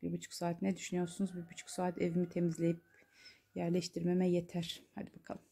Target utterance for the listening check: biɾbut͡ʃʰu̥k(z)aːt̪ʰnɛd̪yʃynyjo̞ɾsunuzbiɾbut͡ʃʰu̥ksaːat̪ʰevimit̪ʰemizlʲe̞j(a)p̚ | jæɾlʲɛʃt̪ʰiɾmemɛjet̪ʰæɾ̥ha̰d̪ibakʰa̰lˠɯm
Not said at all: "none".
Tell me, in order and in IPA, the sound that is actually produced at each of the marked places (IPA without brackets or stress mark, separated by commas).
s, i